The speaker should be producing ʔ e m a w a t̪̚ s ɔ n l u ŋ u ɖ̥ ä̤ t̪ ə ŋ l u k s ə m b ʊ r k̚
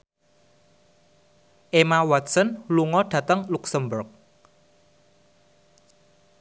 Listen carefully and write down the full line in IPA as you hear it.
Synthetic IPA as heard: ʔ e m a w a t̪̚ s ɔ n l u ŋ ɔ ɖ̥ ä̤ t̪ ə ŋ l u k s ə m b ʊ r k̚